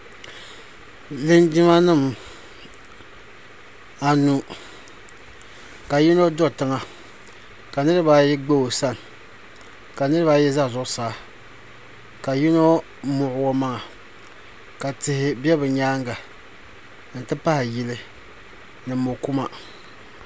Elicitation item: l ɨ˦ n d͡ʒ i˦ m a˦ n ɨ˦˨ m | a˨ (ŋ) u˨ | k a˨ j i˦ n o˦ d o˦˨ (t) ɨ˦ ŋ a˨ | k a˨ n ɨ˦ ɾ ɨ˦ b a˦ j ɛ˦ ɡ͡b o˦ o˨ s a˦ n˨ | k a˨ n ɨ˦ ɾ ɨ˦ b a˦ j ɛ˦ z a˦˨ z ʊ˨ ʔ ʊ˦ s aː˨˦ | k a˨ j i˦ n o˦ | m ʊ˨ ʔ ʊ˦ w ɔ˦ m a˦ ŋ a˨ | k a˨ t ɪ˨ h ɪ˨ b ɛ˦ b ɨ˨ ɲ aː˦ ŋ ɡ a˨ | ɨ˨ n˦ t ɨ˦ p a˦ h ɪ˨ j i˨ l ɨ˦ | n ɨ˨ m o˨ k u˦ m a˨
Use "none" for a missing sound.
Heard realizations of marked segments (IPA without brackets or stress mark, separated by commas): n, t